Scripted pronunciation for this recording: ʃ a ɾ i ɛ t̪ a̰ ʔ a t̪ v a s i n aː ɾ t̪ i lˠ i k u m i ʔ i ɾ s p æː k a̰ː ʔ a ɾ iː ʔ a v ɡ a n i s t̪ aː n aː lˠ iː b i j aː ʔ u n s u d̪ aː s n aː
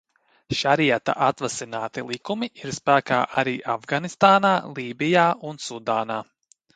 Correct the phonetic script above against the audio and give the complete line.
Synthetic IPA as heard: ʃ a ɾ i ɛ t̪ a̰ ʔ a t̪ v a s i n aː t̪ i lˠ i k u m i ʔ i ɾ s p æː k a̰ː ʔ a ɾ iː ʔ a v ɡ a n i s t̪ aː n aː lˠ iː b i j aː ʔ u n s u d̪ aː n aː